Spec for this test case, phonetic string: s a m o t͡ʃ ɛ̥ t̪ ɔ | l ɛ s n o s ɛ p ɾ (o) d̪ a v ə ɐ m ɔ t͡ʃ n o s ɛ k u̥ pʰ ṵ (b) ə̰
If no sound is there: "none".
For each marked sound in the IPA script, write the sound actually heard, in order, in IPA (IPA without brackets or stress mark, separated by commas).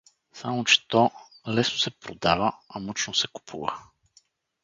o, v